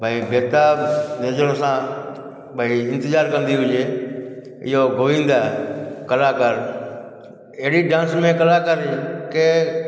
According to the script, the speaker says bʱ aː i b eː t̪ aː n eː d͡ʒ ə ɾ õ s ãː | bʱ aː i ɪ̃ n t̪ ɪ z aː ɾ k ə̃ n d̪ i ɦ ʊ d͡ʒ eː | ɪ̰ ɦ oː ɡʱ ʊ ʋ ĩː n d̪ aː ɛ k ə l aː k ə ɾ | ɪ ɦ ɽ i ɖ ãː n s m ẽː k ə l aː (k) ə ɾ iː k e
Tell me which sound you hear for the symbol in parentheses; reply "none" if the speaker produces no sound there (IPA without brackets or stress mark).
k